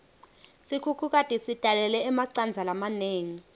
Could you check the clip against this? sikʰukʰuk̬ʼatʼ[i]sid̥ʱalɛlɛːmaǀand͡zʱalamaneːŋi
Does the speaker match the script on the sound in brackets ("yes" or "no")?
yes